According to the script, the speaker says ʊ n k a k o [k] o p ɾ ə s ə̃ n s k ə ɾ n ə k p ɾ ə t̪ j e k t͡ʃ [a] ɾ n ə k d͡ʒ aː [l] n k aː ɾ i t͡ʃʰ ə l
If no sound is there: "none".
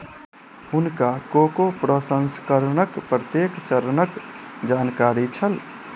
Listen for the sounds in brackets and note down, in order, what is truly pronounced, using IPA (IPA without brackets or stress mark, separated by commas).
k, ə, none